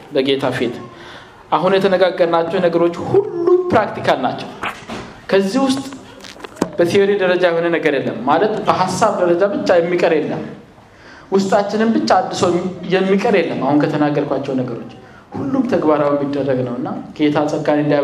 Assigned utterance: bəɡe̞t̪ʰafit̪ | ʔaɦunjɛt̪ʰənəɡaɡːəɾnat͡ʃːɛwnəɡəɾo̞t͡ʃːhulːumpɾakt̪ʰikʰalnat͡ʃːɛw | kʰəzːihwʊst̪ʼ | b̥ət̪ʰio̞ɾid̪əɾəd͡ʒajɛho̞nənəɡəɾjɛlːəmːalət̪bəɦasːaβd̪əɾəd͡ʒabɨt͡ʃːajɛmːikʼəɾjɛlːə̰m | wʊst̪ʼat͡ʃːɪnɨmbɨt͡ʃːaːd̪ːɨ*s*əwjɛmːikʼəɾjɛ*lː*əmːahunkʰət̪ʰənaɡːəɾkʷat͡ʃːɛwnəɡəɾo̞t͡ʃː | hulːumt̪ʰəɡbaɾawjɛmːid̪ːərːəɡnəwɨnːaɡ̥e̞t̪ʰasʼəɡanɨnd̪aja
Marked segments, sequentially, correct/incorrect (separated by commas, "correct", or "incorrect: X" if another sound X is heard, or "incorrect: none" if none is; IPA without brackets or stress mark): correct, correct